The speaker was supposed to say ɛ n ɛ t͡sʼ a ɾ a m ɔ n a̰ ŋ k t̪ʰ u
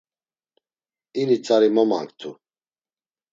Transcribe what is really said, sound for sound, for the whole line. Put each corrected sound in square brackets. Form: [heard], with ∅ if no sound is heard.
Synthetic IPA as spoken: [i] n [i] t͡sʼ a ɾ [i] m ɔ [m] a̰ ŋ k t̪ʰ u